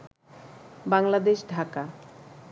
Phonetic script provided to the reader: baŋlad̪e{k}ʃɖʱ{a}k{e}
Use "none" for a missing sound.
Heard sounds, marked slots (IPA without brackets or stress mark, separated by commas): none, a, a